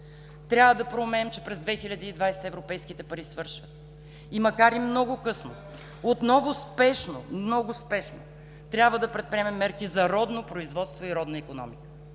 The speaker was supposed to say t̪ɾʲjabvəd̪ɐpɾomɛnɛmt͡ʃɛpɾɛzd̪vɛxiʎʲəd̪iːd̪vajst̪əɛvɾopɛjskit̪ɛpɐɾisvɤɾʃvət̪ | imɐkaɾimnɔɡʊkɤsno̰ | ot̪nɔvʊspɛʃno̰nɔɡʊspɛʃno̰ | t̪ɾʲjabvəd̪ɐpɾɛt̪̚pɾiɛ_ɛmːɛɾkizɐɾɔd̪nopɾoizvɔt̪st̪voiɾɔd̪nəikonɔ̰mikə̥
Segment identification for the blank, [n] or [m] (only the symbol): m